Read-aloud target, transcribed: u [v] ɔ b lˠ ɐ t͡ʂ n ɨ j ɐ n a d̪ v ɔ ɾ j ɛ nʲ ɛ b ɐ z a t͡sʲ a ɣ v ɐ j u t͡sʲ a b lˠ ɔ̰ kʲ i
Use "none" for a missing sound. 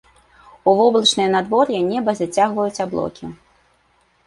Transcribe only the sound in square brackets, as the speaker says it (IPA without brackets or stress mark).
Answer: v